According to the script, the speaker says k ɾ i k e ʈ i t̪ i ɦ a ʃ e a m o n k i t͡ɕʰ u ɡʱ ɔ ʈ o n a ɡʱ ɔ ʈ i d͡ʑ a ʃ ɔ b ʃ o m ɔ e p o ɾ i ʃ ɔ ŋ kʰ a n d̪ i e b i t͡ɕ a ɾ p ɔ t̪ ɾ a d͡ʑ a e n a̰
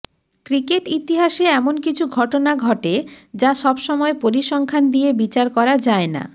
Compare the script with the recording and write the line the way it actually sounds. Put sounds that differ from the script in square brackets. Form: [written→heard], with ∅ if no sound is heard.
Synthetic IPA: k ɾ i k e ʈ i t̪ i ɦ a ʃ e [a→ɛ] m o n k i t͡ɕʰ u ɡʱ ɔ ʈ o n a ɡʱ ɔ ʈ [i→e] d͡ʑ a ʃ ɔ b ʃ [o→ɔ] m ɔ e p o ɾ i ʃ ɔ ŋ kʰ a n d̪ i e b i t͡ɕ a ɾ [p→k] ɔ [t̪→∅] ɾ a d͡ʑ a e n a̰